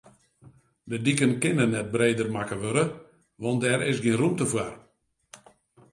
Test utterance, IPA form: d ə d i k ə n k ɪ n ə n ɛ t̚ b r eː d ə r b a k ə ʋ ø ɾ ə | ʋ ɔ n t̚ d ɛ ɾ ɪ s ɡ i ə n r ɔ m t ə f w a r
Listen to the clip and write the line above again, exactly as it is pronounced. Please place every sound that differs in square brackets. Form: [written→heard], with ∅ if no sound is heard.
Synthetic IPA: d ə d i k ə n k ɪ n ə n ɛ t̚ b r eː d ə r [b→m] a k ə ʋ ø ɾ ə | ʋ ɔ n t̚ d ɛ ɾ ɪ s ɡ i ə n r [ɔ→u] m t ə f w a r